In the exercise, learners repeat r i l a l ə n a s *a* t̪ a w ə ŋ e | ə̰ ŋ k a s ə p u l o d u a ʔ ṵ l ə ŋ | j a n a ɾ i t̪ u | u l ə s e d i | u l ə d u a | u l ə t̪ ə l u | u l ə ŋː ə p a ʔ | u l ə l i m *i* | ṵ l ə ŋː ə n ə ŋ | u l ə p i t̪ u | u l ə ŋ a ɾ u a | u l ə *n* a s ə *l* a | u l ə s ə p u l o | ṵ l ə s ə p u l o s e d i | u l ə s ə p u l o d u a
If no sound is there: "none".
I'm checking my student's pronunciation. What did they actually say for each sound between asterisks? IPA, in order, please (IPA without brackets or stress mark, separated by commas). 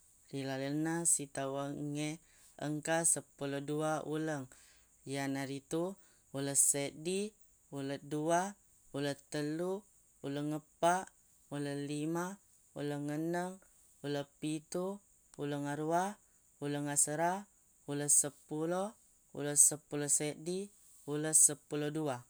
i, a, ŋ, ɾ